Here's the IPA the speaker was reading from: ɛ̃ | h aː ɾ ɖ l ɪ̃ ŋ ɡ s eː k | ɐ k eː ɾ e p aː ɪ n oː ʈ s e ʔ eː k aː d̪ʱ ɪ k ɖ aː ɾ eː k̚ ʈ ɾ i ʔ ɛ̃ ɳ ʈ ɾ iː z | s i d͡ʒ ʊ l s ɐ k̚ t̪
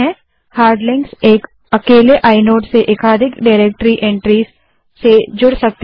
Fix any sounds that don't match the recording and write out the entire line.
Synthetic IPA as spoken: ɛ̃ | h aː ɾ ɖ l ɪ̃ ŋ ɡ s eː k | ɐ k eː l e ʔ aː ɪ n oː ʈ s e ʔ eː k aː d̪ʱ ɪ k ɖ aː ɾ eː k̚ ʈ ɾ i ʔ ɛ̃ ɳ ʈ ɾ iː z | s e d͡ʒ ʊ ɽ s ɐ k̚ t̪